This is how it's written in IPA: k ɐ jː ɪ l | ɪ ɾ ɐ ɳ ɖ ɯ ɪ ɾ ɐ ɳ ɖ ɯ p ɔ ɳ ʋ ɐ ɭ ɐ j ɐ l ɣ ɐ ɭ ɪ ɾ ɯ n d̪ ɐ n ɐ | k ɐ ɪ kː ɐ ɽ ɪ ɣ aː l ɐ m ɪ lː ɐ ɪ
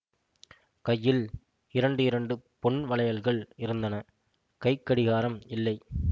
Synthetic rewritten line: k ɐ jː ɪ l | ɪ ɾ ɐ ɳ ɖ ɯ ɪ ɾ ɐ ɳ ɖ ɯ p ɔ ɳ ʋ ɐ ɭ ɐ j ɐ l ɣ ɐ ɭ ɪ ɾ ɯ n d̪ ɐ n ɐ | k ɐ ɪ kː ɐ ɽ ɪ ɣ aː ɾ ɐ m ɪ lː ɐ ɪ